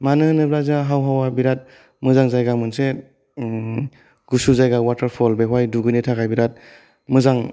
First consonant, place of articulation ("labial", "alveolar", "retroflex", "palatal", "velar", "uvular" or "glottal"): labial